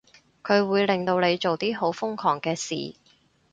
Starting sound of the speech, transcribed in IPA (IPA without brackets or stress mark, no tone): kʰ